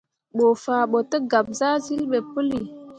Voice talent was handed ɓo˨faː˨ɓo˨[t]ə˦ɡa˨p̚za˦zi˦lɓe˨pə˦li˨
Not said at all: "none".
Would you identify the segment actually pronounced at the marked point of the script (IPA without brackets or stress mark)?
t